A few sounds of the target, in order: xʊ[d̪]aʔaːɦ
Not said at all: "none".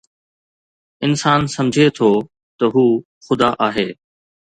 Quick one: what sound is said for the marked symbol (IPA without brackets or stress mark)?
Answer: d̪